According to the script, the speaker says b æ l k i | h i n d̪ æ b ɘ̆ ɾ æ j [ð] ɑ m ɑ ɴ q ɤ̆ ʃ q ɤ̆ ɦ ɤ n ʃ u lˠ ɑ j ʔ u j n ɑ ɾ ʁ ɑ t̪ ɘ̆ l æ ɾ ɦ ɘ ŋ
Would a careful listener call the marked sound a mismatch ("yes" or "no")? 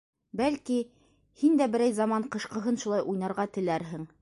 yes